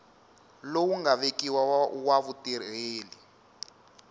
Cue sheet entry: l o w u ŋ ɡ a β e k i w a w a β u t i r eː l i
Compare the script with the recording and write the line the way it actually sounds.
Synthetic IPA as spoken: l o w u ŋ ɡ a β e k i w a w a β u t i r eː l i